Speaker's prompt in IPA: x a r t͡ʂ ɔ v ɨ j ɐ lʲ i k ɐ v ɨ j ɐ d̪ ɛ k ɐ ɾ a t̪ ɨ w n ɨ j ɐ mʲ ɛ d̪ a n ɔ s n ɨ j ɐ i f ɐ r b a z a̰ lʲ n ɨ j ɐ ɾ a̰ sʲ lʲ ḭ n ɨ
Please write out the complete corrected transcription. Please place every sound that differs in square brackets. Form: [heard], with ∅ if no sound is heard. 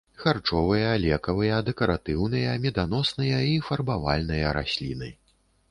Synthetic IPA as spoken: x a r t͡ʂ ɔ v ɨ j ɐ lʲ [ɛ] k ɐ v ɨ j ɐ d̪ ɛ k ɐ ɾ a t̪ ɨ w n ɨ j ɐ mʲ ɛ d̪ a n ɔ s n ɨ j ɐ i f ɐ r b a [v] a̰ lʲ n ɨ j ɐ ɾ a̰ sʲ lʲ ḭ n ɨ